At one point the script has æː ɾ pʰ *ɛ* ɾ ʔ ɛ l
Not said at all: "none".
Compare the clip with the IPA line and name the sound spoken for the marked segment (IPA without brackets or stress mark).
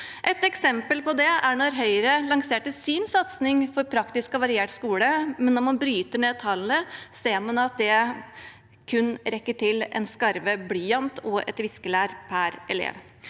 æ